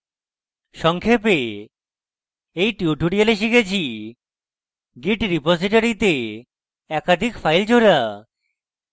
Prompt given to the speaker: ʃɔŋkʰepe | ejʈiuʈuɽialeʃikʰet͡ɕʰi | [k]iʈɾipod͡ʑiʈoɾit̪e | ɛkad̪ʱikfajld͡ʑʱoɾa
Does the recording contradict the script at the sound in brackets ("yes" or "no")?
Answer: yes